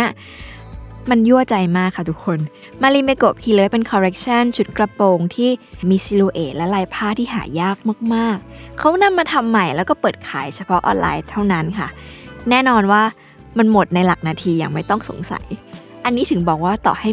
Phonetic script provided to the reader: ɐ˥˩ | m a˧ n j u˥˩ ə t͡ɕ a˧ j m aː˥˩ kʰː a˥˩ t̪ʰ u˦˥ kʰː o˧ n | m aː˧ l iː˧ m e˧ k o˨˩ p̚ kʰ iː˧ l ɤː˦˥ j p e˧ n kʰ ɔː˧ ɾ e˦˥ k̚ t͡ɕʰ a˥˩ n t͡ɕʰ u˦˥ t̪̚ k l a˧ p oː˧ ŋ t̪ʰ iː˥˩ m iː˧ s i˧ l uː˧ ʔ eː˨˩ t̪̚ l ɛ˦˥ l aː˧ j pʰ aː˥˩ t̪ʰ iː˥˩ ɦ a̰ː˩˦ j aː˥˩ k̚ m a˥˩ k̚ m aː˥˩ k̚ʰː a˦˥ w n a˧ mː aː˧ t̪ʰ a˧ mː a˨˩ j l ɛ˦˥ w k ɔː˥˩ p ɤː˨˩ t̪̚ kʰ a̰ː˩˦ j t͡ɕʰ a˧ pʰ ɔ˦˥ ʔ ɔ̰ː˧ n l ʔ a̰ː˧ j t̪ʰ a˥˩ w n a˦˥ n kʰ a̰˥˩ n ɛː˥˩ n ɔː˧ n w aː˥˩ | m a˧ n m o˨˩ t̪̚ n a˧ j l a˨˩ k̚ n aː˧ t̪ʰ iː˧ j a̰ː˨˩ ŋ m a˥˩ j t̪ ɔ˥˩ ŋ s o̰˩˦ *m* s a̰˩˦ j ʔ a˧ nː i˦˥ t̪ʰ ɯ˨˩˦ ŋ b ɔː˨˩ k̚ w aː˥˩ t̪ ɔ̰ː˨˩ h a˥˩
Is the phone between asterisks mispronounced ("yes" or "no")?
yes